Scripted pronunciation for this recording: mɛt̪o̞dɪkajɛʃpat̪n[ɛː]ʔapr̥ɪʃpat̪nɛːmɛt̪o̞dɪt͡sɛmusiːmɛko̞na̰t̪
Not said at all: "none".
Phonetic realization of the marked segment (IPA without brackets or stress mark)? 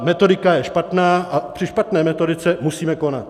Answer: aː